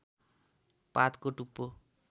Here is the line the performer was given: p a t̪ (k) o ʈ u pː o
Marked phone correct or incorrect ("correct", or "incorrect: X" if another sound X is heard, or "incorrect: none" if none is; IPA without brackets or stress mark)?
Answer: correct